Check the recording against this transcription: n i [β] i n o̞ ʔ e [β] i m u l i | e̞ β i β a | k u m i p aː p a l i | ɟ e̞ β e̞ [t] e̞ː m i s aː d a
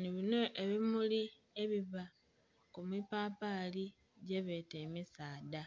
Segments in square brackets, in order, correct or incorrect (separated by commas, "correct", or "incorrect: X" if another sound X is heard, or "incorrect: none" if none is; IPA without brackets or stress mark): correct, correct, correct